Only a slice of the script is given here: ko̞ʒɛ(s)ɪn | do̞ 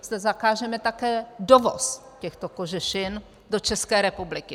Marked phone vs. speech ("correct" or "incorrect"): incorrect